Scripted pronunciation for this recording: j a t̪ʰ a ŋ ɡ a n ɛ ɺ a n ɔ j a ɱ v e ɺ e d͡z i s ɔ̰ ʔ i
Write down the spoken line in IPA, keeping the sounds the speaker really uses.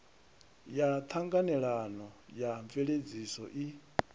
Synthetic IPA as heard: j a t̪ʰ a ŋ ɡ a n ɛ ɺ a n ɔ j a ɱ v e ɺ e d͡z i s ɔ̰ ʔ i